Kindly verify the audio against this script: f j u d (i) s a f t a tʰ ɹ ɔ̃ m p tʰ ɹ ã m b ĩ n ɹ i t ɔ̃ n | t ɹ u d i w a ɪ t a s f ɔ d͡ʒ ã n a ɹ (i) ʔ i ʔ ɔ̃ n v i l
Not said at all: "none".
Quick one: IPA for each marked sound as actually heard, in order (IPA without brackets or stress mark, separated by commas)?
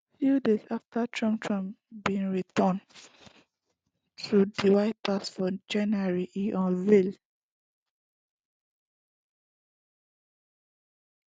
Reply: e, i